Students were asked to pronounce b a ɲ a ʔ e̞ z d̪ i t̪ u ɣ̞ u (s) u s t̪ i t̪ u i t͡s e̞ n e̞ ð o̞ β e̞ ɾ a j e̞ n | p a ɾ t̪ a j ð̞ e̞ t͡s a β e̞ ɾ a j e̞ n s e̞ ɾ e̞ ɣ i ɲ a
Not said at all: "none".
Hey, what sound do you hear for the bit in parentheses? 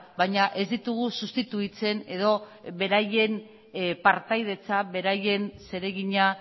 s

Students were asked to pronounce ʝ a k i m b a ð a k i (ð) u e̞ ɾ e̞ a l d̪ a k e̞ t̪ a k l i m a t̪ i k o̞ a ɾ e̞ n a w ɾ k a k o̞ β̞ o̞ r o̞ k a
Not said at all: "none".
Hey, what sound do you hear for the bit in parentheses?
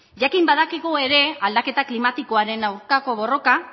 ɣ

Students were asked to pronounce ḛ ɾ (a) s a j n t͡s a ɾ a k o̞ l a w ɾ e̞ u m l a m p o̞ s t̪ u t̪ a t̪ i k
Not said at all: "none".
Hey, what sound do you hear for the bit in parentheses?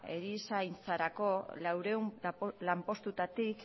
i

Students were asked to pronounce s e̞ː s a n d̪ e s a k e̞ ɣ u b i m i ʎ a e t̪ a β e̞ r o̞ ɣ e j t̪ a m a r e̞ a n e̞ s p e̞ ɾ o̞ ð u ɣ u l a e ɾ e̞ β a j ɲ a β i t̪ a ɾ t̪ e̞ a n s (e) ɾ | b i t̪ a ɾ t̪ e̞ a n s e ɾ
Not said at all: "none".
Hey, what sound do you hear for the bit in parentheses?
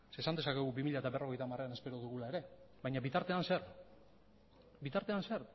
e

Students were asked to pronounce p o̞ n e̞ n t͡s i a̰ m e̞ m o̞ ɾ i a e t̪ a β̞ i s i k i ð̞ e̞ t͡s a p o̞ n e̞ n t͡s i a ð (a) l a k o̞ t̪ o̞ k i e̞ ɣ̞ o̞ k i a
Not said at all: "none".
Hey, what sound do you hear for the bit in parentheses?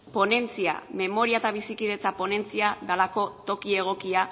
a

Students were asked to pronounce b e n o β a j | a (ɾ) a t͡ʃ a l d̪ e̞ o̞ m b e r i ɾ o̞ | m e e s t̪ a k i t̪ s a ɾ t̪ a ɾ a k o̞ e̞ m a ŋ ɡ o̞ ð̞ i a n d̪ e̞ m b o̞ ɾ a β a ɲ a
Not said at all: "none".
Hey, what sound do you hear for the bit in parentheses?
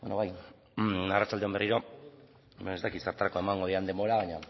r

